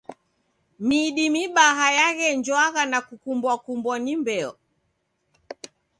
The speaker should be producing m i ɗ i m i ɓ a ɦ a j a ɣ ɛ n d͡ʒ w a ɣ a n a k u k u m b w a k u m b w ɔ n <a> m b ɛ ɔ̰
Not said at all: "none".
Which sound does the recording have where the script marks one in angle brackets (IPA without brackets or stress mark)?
i